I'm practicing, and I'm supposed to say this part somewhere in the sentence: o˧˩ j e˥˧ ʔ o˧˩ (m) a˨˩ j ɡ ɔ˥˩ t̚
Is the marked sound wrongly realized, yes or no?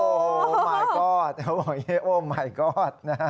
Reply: no